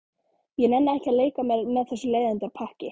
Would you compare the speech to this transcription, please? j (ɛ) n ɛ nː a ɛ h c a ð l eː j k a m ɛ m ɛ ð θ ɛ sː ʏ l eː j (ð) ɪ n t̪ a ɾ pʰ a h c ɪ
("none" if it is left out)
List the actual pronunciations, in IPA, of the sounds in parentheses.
ɛ, ð

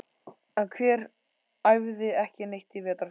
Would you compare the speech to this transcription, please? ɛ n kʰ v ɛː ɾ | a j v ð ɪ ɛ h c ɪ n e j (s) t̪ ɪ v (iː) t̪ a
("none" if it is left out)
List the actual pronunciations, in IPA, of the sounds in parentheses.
h, ɛː

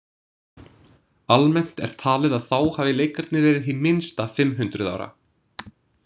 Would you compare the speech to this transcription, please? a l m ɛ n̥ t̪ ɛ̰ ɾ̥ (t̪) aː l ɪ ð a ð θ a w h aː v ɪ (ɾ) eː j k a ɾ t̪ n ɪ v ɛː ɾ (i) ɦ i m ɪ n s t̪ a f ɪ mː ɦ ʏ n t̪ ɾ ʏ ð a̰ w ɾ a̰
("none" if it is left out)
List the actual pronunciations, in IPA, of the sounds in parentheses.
t̪ʰ, l, ɪ

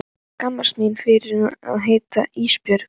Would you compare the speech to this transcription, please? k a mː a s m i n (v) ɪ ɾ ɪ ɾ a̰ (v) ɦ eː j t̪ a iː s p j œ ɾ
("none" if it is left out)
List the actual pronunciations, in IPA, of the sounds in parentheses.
f, ð

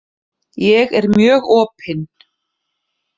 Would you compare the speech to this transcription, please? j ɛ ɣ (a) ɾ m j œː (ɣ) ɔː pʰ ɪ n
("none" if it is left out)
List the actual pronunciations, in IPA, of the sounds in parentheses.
ɛ, ɣ

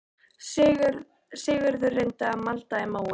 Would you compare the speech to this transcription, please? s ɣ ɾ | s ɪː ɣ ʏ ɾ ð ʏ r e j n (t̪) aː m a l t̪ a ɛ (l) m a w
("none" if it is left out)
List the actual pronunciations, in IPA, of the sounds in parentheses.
t̪, none

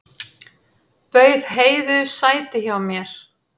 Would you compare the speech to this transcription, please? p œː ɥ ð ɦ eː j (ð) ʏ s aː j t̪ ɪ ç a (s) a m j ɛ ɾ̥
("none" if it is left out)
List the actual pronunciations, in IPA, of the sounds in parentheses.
ð, none

